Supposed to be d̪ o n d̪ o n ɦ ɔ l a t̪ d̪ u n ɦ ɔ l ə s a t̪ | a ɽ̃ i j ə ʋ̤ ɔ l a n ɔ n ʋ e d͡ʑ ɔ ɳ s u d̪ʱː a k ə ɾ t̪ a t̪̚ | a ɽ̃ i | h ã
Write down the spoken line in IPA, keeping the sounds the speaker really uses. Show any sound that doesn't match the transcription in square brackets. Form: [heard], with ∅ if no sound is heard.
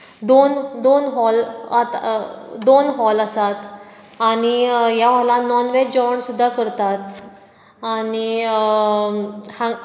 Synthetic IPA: d̪ o n d̪ o n ɦ ɔ l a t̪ d̪ [o] n ɦ ɔ l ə s a t̪ | a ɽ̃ i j [a] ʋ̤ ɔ l a n ɔ n ʋ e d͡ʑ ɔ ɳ s u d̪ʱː a k ə ɾ t̪ a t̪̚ | a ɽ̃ i | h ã